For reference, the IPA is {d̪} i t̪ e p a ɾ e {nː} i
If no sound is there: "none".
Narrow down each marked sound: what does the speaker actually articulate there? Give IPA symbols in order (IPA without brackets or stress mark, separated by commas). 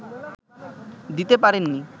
d̪, nː